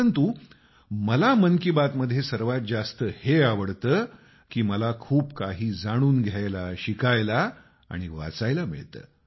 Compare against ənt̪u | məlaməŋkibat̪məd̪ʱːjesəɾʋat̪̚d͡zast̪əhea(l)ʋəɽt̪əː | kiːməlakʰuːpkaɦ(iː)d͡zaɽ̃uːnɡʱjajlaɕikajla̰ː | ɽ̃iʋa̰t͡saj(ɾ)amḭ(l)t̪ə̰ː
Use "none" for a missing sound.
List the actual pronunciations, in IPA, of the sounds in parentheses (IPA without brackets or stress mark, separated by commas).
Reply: none, iː, l, ɭ